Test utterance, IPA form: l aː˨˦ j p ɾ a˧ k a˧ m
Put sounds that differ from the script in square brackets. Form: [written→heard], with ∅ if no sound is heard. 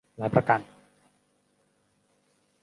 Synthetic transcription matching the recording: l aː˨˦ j p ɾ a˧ k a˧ [m→n]